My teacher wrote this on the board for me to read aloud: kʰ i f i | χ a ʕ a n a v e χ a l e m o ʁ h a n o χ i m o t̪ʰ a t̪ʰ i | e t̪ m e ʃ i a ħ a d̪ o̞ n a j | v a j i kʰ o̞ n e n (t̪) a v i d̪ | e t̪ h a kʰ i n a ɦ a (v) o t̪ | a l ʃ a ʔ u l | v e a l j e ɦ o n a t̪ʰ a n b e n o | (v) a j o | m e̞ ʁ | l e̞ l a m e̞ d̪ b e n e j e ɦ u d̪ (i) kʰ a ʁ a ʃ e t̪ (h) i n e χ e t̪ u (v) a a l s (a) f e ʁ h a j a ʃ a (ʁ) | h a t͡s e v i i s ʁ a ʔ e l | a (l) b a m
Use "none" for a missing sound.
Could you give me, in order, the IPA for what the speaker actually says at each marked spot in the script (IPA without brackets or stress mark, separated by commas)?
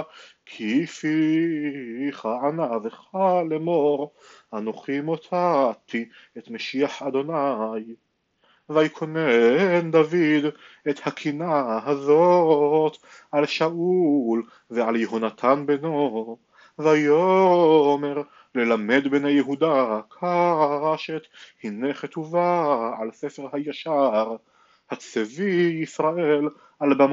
d̪, z, v, a, h, v, e, ʁ, l